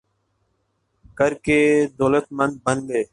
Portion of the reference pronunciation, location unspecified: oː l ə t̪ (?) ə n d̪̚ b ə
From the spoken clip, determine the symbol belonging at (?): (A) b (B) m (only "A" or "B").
B